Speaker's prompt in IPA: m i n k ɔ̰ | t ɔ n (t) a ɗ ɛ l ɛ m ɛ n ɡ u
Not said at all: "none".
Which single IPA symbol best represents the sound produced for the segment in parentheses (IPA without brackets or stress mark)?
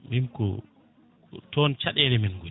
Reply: t͡ʃ